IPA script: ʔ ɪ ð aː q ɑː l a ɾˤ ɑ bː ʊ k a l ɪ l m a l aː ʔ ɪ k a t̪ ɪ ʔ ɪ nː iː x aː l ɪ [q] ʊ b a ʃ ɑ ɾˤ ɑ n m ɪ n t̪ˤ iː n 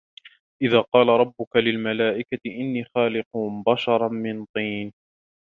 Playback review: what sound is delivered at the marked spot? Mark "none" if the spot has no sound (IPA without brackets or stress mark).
q